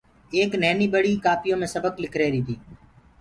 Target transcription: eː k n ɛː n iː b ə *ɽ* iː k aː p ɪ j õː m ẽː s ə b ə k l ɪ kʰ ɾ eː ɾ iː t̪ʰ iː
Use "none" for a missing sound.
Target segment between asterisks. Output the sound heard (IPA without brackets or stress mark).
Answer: ɽ